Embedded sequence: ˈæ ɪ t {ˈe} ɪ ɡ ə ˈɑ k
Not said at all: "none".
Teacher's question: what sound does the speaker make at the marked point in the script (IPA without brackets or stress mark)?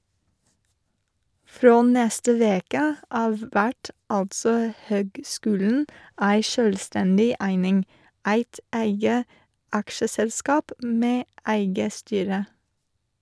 æ